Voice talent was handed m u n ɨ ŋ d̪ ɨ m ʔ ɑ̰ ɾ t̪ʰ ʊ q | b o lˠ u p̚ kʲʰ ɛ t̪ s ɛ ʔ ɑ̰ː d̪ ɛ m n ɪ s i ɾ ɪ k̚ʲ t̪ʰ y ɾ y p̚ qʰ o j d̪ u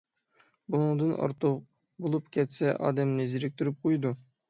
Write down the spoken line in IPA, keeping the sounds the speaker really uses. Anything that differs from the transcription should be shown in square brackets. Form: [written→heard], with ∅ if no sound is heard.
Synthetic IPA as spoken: [m→b] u n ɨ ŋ d̪ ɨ [m→n] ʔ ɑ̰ ɾ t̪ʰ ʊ q | b o lˠ u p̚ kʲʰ ɛ t̪ s ɛ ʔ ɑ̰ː d̪ ɛ m n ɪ [s→z] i ɾ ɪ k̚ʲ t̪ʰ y ɾ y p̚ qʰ o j d̪ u